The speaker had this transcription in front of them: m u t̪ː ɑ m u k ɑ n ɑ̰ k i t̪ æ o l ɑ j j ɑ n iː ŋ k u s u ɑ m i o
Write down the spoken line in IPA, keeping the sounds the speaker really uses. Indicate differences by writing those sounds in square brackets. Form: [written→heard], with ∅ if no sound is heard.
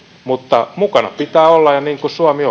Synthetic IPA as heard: m u t̪ː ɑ m u k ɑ n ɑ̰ [k→p] i t̪ [æ→æː] o [l→lː] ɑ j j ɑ n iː ŋ k u s u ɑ m i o